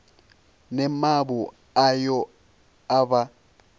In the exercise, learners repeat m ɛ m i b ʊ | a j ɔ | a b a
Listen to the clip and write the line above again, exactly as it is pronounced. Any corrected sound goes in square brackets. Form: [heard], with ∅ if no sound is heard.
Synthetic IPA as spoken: [n] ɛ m [a] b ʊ | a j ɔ | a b a